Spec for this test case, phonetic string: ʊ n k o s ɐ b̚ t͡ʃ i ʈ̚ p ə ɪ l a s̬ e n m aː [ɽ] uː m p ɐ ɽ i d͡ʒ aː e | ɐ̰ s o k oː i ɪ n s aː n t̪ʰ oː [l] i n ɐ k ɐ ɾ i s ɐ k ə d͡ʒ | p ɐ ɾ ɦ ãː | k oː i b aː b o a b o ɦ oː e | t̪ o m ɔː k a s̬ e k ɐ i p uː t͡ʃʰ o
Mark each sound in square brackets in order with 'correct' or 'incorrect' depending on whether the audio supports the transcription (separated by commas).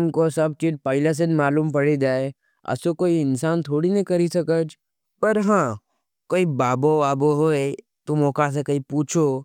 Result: incorrect, incorrect